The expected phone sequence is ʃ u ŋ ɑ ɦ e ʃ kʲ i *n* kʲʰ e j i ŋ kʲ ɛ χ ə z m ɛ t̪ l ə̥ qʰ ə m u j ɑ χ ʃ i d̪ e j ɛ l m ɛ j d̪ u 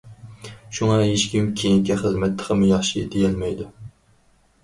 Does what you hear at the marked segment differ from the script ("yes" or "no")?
yes